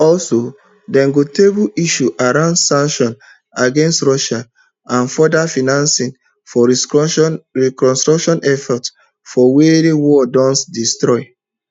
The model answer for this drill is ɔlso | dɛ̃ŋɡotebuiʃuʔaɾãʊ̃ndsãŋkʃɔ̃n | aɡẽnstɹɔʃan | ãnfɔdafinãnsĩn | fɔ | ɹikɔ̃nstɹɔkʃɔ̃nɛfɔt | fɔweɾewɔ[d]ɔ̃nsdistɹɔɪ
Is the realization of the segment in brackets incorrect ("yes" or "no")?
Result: no